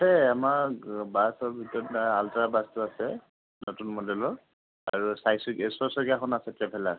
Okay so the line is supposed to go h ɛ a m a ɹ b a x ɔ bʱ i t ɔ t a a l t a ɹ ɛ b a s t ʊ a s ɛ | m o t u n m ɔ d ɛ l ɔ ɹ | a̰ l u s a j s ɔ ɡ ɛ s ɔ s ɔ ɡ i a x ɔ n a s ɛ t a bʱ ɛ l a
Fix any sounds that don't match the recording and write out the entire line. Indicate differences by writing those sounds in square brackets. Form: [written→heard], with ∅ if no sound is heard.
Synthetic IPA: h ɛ a m a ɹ b a [x→s] ɔ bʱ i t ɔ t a a l t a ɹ [ɛ→a] b a s t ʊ a s ɛ | [m→n] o t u n m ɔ d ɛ l ɔ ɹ | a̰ [l→ɹ] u s a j s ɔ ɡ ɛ s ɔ s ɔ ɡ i a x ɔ n a s ɛ t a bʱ ɛ l a